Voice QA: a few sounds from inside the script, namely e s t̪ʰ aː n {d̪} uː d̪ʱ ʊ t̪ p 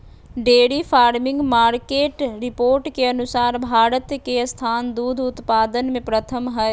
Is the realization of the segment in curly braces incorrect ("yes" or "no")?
no